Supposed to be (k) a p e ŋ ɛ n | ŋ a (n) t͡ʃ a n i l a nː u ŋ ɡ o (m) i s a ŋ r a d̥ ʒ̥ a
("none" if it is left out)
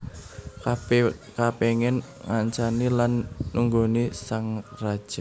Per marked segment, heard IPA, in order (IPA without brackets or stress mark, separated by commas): k, ɲ, n